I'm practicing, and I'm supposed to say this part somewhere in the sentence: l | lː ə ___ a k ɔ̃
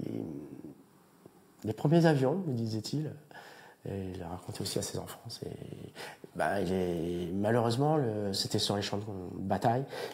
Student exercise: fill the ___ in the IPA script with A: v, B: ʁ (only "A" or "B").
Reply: B